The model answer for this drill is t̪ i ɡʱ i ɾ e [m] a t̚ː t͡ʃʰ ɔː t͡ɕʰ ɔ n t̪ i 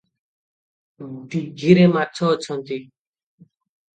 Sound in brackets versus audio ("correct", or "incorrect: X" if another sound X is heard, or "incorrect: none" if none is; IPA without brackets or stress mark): correct